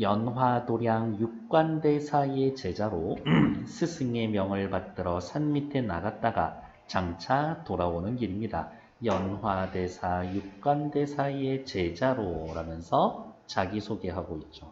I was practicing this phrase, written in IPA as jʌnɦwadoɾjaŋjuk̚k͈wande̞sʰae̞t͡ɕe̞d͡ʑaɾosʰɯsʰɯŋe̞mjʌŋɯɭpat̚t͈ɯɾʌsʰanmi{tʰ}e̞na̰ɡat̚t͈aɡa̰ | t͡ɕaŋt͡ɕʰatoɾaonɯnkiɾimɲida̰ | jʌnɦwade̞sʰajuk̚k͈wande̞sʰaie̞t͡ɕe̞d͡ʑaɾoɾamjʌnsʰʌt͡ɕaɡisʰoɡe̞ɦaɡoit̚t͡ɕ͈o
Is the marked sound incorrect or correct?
correct